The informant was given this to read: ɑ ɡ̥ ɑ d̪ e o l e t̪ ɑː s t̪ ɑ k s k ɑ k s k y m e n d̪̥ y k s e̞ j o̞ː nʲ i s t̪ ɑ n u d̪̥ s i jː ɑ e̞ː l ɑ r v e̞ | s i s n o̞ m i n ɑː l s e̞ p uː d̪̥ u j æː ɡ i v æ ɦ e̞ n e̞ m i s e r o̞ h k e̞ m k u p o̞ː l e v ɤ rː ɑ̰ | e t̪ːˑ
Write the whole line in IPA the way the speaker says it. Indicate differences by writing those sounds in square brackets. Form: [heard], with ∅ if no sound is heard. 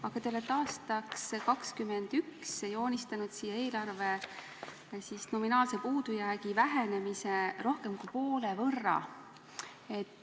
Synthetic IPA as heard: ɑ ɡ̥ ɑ [t̪] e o l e t̪ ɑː s t̪ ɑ k s k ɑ k s k y m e n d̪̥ y k s e̞ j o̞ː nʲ i s t̪ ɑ n u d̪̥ s i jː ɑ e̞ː l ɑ r v e̞ | s i s n o̞ m i n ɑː l s e̞ p uː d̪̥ u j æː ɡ i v æ ɦ e̞ n e̞ m i s e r o̞ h k e̞ m k u p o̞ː l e v ɤ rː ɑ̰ | e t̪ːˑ

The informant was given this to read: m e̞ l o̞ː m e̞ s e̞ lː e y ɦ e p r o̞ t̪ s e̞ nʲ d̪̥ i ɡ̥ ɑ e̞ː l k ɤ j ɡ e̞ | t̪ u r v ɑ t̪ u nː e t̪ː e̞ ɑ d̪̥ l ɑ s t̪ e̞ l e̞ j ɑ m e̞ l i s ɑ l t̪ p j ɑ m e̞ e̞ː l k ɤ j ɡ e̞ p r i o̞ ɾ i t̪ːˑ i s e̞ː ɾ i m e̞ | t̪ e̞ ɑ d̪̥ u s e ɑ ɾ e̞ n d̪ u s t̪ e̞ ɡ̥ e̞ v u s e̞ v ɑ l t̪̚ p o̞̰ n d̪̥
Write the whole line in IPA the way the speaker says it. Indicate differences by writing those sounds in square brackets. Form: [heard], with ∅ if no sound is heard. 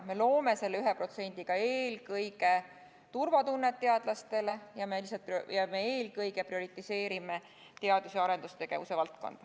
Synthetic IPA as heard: m e̞ l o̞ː m e̞ s e̞ lː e y ɦ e p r o̞ t̪ s e̞ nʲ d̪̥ i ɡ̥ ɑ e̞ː l k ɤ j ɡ e̞ | t̪ u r v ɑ t̪ u nː e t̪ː e̞ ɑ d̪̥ l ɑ s t̪ e̞ l e̞ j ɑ m e̞ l i s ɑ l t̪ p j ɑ m e̞ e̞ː l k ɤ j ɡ e̞ p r i o̞ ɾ i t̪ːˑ i s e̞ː ɾ i m e̞ | t̪ e̞ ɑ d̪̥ u s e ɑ ɾ e̞ n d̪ u s t̪ e̞ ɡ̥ e̞ v u s e̞ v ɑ l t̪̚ [k] o̞̰ n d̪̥

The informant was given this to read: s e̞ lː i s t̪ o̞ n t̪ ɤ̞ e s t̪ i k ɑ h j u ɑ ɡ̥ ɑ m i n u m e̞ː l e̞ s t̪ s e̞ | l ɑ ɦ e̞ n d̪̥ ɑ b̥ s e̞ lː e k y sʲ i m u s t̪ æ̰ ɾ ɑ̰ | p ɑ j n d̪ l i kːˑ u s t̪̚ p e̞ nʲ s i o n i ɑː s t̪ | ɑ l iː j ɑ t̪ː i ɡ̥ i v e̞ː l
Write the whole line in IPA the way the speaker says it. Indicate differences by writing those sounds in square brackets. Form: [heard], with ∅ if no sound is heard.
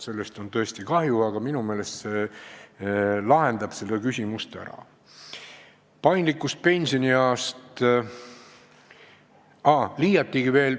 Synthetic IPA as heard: s e̞ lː [e] s t̪ o̞ n t̪ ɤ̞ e s t̪ i k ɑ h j u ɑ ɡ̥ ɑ m i n u m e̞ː l e̞ s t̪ s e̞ | l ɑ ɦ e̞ n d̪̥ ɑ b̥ s e̞ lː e k y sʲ i m u s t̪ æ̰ ɾ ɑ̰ | p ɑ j n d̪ l i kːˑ u s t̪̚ p e̞ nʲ s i o n i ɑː s t̪ | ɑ l iː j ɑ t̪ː i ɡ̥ i v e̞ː l

